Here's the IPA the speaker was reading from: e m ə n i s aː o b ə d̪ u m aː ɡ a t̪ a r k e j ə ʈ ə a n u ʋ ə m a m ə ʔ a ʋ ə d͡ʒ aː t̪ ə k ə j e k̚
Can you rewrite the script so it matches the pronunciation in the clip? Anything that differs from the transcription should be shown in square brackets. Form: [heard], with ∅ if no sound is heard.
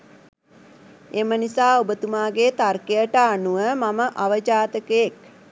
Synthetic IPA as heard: e m ə n i s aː o b ə [t̪] u m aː ɡ [e] t̪ a r k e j ə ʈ ə a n u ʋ ə m a m ə ʔ a ʋ ə d͡ʒ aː t̪ ə k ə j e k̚